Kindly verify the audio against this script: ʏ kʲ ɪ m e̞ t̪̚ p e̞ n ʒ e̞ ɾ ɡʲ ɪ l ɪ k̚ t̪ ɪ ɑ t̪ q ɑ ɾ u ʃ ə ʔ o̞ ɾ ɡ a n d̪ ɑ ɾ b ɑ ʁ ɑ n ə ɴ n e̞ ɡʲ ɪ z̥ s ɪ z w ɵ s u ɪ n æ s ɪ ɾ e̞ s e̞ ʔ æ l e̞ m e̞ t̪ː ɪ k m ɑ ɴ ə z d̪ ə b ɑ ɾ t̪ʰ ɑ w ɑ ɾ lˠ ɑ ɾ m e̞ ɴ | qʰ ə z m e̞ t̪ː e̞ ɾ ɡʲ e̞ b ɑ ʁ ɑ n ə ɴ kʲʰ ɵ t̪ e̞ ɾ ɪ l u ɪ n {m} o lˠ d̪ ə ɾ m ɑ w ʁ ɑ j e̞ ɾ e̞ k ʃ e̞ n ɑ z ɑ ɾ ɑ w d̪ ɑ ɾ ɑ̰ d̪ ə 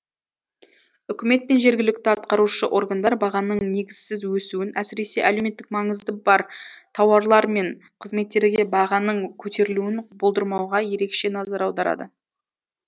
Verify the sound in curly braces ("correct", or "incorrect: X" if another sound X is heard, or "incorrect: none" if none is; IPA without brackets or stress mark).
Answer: incorrect: b